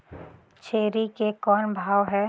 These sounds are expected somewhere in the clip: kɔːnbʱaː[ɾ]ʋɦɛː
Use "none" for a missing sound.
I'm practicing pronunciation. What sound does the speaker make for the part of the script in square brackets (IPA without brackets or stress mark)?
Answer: none